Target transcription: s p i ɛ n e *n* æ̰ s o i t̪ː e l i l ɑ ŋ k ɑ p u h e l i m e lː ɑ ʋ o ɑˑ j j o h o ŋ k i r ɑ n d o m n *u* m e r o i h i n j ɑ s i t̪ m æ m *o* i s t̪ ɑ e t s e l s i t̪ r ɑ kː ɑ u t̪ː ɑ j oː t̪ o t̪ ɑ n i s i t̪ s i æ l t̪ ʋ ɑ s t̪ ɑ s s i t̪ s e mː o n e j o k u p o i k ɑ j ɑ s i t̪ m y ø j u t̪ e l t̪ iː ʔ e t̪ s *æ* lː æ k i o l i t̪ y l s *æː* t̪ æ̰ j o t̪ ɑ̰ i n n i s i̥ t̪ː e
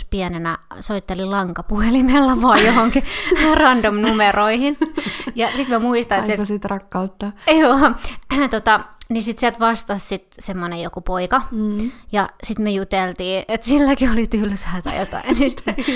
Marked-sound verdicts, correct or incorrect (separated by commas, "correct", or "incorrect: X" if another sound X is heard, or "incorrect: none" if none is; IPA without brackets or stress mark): correct, correct, incorrect: u, incorrect: i, correct